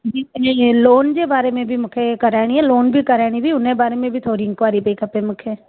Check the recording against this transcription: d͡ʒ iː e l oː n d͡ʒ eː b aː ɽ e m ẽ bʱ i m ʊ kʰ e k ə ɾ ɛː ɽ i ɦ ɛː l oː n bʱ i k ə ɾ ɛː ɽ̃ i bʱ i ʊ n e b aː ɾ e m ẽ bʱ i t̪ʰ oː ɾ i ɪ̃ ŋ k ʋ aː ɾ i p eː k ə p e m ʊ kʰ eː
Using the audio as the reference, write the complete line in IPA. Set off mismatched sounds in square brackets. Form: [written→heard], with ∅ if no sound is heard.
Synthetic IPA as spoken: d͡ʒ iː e l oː n d͡ʒ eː b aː [ɽ→ɾ] e m ẽ bʱ i m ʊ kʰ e k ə ɾ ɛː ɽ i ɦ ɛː l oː n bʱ i k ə ɾ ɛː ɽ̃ i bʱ i ʊ n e b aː ɾ e m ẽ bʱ i t̪ʰ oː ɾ i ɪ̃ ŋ k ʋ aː ɾ i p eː k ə p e m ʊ kʰ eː